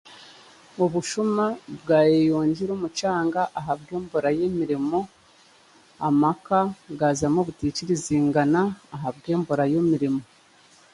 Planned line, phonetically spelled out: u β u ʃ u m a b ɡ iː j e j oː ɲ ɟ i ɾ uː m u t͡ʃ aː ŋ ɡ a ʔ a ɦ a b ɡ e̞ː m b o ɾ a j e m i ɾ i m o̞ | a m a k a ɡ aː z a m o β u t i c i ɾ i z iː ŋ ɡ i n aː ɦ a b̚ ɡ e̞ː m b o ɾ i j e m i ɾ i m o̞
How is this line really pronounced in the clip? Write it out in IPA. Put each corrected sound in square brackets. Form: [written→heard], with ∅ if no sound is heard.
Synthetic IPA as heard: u β u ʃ u m a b ɡ [iː→aː] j e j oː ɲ ɟ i ɾ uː m u t͡ʃ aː ŋ ɡ a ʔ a ɦ a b ɡ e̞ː m b o ɾ a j e m i ɾ i m o̞ | a m a k a ɡ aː z a m o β u t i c i ɾ i z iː ŋ ɡ [i→a] n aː ɦ a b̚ ɡ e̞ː m b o ɾ [i→a] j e m i ɾ i m o̞